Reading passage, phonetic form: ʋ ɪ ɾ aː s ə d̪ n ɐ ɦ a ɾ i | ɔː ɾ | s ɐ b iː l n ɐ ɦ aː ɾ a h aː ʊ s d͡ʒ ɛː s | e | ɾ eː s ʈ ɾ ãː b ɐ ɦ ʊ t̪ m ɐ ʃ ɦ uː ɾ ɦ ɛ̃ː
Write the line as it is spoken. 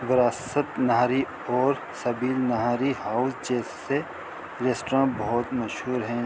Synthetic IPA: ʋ ɪ ɾ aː s ə t̪ n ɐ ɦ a ɾ i | ɔː ɾ | s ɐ b iː l n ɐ ɦ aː ɾ i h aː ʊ s d͡ʒ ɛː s | e | ɾ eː s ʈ ɾ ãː b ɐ ɦ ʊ t̪ m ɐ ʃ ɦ uː ɾ ɦ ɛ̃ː